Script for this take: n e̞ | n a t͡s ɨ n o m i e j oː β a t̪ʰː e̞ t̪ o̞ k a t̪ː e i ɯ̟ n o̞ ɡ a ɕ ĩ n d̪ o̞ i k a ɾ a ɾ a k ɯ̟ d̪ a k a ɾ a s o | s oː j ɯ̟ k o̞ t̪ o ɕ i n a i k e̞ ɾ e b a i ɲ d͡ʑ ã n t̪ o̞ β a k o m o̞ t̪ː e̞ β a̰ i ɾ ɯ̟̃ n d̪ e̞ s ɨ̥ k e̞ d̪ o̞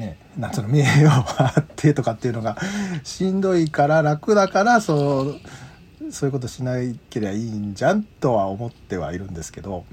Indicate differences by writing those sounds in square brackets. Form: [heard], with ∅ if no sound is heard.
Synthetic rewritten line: n e̞ | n a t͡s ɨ n o m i e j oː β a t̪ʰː e̞ t̪ o̞ k a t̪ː e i ɯ̟ n o̞ ɡ a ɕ ĩ n d̪ o̞ i k a ɾ a ɾ a k ɯ̟ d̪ a k a ɾ a s o | s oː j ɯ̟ k o̞ t̪ o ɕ i n a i k e̞ ɾ e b a i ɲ d͡ʑ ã n t̪ o̞ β a [∅] o m o̞ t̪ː e̞ β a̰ i ɾ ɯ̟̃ n d̪ e̞ s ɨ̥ k e̞ d̪ o̞